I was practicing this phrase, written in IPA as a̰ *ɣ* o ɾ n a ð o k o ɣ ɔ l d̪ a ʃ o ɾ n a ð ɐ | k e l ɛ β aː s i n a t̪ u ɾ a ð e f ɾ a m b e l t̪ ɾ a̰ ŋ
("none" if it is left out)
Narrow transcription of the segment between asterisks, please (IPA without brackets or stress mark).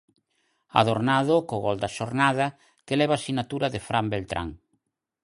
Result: ð